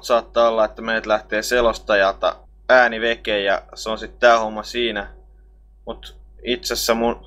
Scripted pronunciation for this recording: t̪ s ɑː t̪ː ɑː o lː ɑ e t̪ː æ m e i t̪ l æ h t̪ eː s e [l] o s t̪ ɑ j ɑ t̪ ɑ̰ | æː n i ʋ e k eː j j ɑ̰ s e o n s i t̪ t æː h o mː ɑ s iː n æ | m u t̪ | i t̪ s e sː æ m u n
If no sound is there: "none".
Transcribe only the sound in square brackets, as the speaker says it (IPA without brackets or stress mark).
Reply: l